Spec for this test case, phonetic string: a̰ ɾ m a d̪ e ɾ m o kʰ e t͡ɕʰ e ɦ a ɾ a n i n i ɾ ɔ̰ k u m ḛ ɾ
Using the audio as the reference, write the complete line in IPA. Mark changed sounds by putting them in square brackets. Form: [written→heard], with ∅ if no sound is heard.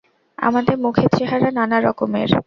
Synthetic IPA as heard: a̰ [ɾ→∅] m a d̪ e ɾ m [o→u] kʰ e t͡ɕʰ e ɦ a ɾ a n [i→a] n [i→a] ɾ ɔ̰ k [u→o] m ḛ ɾ